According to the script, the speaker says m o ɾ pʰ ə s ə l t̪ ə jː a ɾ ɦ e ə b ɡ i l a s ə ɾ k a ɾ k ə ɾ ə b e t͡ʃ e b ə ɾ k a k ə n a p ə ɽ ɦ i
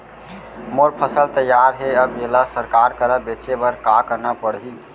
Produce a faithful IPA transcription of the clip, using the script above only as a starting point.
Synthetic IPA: m o ɾ pʰ ə s ə l t̪ ə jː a ɾ ɦ e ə b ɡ e l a s ə ɾ k a ɾ k ə ɾ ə b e t͡ʃ e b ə ɾ k a k ə n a p ə ɽ ɦ i